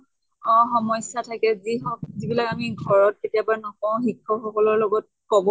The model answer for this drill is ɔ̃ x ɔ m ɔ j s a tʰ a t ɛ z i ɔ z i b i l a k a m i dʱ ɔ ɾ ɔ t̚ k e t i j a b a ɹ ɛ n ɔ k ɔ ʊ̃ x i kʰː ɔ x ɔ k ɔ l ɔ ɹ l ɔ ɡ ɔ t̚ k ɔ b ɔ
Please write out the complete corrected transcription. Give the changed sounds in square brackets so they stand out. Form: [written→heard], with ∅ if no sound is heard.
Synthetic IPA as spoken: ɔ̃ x ɔ m ɔ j s a tʰ a [t→k] ɛ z i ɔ z i b i l a k a m i [dʱ→ɡʱ] ɔ [ɾ→ɹ] ɔ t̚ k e t i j a b a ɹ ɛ n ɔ k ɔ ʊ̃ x i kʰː ɔ x ɔ k ɔ l ɔ ɹ l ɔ ɡ ɔ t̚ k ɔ b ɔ